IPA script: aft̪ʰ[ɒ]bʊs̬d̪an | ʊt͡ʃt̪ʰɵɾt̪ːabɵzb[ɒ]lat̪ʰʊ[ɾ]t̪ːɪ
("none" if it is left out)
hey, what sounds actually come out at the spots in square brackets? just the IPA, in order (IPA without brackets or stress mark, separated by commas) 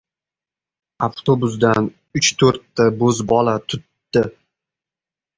o, ɒ, none